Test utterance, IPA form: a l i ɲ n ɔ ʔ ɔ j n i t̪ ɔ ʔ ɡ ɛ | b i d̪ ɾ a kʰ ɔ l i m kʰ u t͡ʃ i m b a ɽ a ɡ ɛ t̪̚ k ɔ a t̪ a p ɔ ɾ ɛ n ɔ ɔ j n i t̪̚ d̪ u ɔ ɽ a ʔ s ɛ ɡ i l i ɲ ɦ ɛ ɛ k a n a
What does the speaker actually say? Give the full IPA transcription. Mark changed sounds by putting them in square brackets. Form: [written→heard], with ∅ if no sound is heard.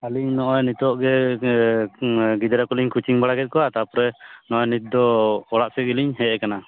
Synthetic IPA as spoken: a l i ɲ n ɔ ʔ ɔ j n i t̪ ɔ ʔ ɡ ɛ | [b→ɡ] i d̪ ɾ a [kʰ→k] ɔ l i [m→ɲ] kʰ u t͡ʃ i [m→ŋ] b a ɽ a ɡ ɛ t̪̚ k ɔ a t̪ a p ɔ ɾ ɛ n ɔ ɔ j n i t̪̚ d̪ [u→ɔ] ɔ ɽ a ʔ s ɛ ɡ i l i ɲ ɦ ɛ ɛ k a n a